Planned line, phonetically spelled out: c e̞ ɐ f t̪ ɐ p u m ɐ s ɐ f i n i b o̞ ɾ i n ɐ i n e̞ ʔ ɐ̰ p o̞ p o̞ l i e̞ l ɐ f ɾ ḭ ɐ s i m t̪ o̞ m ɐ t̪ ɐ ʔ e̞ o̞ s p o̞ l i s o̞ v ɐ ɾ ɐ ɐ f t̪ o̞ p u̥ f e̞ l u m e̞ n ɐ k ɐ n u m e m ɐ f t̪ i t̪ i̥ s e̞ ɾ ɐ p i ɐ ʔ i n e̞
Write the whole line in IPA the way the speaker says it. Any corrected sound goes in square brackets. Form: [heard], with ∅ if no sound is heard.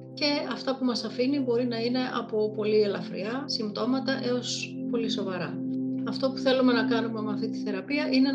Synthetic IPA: c e̞ ɐ f t̪ ɐ p u m ɐ s ɐ f i n i b o̞ ɾ i n ɐ i n e̞ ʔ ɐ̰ p o̞ p o̞ l i e̞ l ɐ f ɾ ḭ ɐ s i m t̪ o̞ m ɐ t̪ ɐ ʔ e̞ o̞ s p o̞ l i s o̞ v ɐ ɾ ɐ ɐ f t̪ o̞ p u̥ [θ] e̞ l u m e̞ n ɐ k ɐ n u m e m ɐ f t̪ i t̪ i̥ [θ] e̞ ɾ ɐ p i ɐ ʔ i n e̞